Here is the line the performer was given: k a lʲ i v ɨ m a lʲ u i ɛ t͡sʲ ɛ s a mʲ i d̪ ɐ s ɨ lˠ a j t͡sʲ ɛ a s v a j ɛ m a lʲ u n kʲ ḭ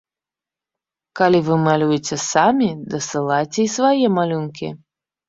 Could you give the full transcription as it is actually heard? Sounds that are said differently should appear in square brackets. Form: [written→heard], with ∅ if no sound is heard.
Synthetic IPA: k a lʲ i v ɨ m a lʲ u [i→j] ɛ t͡sʲ ɛ s a mʲ i d̪ ɐ s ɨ lˠ a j t͡sʲ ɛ [a→i] s v a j ɛ m a lʲ u n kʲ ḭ